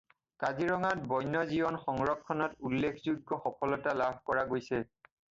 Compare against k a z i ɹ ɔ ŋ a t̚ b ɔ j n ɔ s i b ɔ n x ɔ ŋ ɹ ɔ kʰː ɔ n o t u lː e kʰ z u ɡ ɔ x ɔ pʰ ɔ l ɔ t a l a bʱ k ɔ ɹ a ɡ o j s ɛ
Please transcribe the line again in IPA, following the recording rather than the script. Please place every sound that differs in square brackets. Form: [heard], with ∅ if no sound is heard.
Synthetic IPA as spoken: k a z i ɹ ɔ ŋ a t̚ b ɔ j n ɔ [z] i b ɔ n x ɔ ŋ ɹ ɔ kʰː ɔ n [ɔ] t u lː e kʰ z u ɡ ɔ x ɔ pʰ ɔ l ɔ t a l a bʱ k ɔ ɹ a ɡ o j s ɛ